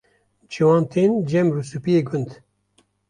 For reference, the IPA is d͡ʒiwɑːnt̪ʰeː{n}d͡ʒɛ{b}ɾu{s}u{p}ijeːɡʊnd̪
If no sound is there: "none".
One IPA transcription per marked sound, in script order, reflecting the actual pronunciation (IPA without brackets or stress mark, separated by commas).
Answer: n, m, s, p